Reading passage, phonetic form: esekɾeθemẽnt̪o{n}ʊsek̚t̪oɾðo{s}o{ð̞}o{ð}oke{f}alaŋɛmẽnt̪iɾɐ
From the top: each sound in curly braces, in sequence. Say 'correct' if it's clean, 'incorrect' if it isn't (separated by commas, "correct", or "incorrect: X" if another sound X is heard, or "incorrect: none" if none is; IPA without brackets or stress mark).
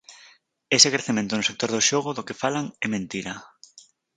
correct, incorrect: ʃ, incorrect: ɣ̞, correct, correct